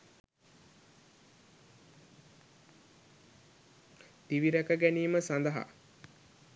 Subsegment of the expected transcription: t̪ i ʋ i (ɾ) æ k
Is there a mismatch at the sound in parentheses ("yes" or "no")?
no